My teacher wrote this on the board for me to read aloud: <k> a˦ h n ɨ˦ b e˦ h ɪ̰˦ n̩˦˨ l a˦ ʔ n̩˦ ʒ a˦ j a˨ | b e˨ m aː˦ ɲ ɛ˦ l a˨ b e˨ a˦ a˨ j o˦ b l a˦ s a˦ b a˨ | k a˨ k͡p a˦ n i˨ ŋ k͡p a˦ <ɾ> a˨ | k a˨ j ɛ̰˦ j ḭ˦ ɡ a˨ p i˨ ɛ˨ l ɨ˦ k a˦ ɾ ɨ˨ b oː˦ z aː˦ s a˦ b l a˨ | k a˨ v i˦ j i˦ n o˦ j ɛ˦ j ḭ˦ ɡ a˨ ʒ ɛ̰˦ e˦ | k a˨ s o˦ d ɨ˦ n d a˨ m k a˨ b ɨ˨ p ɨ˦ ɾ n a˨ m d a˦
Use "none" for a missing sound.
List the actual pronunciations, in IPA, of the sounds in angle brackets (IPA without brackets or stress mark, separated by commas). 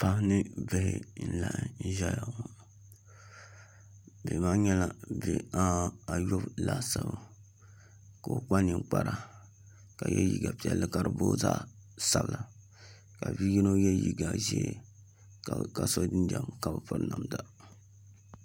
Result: p, ɾ